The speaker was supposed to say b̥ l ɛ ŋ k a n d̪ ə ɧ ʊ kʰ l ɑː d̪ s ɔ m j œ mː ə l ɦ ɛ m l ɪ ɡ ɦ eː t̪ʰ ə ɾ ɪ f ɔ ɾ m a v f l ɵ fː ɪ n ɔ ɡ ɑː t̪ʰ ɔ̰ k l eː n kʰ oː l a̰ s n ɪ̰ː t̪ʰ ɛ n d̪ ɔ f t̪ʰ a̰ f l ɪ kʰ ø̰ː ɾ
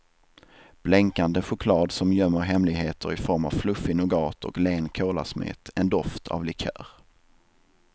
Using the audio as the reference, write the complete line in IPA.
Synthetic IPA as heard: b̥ l ɛ ŋ k a n d̪ ə ɧ ʊ kʰ l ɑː d̪ s ɔ m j œ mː ə ɾ ɦ ɛ m l ɪ ɡ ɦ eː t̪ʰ ə ɾ ɪ f ɔ ɾ m a v f l ɵ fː ɪ n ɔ ɡ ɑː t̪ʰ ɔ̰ k l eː n kʰ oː l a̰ s m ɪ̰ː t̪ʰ ɛ n d̪ ɔ f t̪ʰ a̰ v l ɪ kʰ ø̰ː ɾ